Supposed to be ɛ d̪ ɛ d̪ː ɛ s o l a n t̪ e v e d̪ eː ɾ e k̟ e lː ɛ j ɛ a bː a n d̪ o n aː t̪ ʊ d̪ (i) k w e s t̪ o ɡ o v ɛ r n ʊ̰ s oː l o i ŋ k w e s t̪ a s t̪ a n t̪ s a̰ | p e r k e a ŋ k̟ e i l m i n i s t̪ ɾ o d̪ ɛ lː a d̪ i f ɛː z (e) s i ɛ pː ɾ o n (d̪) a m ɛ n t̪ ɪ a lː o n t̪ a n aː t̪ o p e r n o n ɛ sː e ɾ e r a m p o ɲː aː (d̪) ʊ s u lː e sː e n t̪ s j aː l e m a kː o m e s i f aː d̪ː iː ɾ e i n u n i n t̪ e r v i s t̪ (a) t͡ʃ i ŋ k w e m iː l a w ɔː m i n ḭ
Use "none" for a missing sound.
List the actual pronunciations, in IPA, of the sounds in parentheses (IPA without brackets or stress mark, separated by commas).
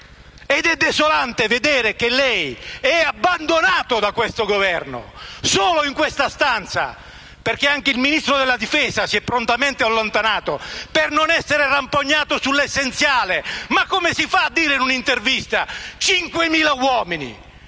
a, a, t̪, t̪, a